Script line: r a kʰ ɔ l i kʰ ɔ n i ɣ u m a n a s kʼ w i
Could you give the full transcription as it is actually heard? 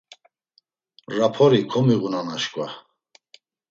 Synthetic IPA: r a pʰ ɔ ɾ i kʰ ɔ m i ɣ u n a n a ʃ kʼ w a